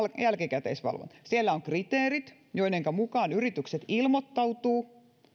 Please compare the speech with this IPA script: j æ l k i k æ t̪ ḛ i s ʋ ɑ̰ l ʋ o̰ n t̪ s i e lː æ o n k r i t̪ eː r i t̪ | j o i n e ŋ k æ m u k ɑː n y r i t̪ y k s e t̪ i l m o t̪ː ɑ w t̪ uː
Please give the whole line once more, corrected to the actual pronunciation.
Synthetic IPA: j æ l k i k æ t̪ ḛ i s ʋ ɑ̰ l ʋ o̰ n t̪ s i e lː æ o ŋ k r i t̪ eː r i t̪ | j o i n e ŋ k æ m u k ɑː n y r i t̪ y k s e t̪ i l m o t̪ː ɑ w t̪ uː

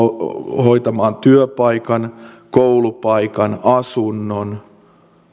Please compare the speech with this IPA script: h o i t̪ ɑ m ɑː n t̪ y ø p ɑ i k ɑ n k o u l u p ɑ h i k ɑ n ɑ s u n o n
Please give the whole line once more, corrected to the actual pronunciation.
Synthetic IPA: h o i t̪ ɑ m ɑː n t̪ y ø p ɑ i k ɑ n k o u l u p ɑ i k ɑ n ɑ s u nː o n

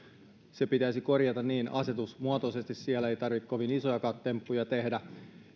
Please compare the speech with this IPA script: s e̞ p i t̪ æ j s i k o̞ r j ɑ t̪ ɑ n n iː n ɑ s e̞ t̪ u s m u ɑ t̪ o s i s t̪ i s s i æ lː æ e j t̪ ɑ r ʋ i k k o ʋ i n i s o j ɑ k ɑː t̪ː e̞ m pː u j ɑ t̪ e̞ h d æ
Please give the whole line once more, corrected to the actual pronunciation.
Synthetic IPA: s e̞ p i t̪ æ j s i k o̞ r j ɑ t̪ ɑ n n iː n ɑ s e̞ t̪ u s m u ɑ t̪ o s e s t̪ i s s i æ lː æ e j t̪ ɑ r ʋ i k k o ʋ i n i s o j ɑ k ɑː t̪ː e̞ m pː u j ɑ t̪ e̞ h d æ

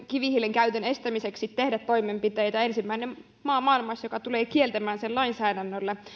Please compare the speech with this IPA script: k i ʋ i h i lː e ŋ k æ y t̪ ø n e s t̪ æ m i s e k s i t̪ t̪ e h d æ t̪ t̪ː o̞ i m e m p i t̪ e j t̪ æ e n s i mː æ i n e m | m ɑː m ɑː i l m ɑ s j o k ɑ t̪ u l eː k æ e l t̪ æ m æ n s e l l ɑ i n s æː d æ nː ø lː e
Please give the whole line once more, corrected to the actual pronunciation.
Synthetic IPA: k i ʋ i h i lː e ŋ k æ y t̪ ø n e s t̪ æ m i s e k s i t̪ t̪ e h d æ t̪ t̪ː o̞ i m e m p i t̪ e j t̪ æ e n s i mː æ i n e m | m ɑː m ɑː i l m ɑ s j o k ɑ t̪ u l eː k i e l t̪ æ m æː n s e l l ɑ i n s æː d æ nː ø lː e

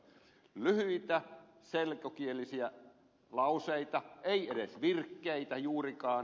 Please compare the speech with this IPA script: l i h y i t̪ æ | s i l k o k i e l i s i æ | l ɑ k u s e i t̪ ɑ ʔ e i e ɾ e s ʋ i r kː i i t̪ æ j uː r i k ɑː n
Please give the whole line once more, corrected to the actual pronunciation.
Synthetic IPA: l y h y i t̪ æ | s e l k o k i e l i s i æ | l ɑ u s e i t̪ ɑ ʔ e i e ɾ e s ʋ i r kː e i t̪ æ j uː r i k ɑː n

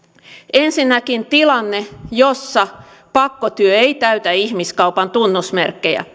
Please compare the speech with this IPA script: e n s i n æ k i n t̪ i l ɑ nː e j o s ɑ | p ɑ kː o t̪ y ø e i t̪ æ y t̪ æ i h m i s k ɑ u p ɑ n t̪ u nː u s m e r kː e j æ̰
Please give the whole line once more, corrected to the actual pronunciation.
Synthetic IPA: e n s i nː æ k i n t̪ i l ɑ nː e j o sː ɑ | p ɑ kː o t̪ y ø e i t̪ æ y t̪ æ i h m i s k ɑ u p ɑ n t̪ u nː u s m e r kː e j æ̰

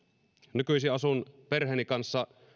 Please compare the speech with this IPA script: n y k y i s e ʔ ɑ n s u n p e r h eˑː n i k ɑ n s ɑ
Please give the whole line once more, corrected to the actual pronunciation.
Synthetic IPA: n y k y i s i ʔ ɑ s u n p e r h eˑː n i k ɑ n sː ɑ

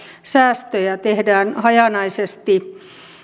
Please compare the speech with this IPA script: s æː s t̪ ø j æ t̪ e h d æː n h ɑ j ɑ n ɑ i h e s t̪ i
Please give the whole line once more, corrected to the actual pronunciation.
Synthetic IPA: s æː s t̪ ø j æ t̪ e h d æː n h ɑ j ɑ n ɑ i s e s t̪ i

